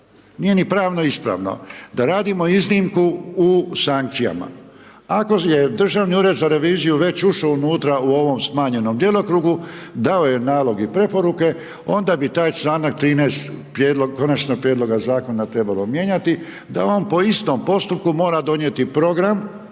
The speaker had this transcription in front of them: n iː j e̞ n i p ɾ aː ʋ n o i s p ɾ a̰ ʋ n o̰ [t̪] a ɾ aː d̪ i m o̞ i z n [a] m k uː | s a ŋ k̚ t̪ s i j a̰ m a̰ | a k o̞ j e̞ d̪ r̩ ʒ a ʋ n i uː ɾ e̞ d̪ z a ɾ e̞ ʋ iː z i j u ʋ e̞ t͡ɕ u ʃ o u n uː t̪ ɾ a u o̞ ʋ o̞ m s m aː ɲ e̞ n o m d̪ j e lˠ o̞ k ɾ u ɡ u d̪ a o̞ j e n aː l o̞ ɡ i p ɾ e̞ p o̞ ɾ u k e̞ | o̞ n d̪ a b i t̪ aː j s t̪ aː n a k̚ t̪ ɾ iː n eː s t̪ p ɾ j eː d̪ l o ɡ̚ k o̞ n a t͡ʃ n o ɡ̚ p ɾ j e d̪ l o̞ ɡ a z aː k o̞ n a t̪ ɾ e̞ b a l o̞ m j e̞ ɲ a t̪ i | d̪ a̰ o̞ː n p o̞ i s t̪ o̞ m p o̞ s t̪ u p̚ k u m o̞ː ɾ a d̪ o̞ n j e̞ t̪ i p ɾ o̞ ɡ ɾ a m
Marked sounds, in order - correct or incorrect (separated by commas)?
incorrect, incorrect